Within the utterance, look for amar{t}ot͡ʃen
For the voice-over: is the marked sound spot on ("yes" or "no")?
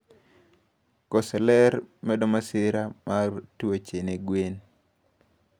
yes